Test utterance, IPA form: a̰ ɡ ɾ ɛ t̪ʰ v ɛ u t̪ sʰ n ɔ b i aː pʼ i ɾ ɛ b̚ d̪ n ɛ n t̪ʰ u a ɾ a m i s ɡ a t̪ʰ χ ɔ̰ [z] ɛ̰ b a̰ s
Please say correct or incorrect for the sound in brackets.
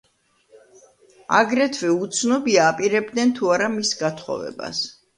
incorrect